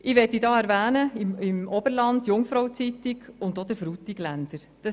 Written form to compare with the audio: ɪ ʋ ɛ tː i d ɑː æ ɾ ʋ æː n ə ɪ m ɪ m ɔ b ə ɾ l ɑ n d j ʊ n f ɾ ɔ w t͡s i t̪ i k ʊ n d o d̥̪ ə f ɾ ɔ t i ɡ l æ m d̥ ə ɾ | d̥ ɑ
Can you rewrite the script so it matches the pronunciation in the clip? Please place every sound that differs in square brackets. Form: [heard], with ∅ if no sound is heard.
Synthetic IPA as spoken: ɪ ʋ ɛ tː i d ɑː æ ɾ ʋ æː n ə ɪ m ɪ m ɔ b ə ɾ l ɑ n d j ʊ [ŋ] f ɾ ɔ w t͡s i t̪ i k ʊ n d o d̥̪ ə f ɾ [u] t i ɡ l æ [n] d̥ ə ɾ | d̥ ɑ